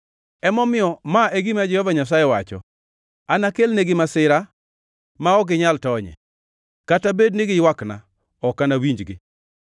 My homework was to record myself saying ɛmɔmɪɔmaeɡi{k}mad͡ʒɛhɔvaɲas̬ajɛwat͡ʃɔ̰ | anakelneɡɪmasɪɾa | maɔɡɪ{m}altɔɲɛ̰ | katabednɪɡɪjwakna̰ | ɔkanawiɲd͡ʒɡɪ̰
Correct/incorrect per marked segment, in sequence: incorrect: none, incorrect: ɲ

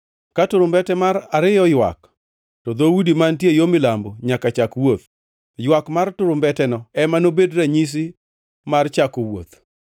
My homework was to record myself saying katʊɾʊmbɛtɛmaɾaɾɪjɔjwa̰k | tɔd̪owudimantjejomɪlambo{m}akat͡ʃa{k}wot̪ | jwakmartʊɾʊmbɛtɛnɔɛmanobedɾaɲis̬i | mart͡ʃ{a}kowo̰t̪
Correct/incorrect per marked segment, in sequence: incorrect: ɲ, correct, correct

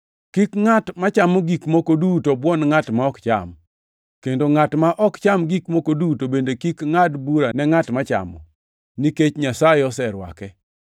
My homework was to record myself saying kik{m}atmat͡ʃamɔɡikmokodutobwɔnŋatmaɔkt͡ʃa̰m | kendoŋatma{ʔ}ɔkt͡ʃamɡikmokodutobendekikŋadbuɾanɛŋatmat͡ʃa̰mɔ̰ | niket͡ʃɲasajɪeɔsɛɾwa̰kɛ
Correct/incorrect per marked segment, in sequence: incorrect: ŋ, correct

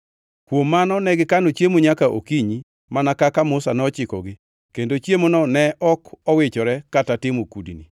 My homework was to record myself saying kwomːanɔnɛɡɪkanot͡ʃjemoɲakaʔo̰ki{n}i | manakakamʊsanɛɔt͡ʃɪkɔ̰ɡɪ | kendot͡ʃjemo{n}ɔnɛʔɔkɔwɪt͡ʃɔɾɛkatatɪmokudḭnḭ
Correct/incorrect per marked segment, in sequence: incorrect: ɲ, correct

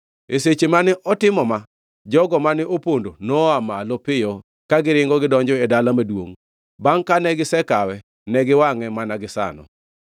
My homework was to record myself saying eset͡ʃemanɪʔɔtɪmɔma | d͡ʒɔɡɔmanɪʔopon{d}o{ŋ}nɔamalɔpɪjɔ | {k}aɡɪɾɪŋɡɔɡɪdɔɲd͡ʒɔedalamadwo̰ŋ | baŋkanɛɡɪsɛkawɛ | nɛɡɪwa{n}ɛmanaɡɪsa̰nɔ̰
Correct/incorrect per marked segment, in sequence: correct, incorrect: none, correct, incorrect: ŋ

